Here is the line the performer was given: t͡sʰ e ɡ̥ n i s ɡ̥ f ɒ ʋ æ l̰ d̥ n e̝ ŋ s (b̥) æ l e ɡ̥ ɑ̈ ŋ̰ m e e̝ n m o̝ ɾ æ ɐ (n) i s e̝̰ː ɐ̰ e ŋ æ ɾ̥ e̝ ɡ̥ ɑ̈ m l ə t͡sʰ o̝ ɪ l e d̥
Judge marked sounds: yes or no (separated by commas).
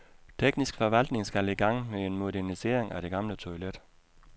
no, yes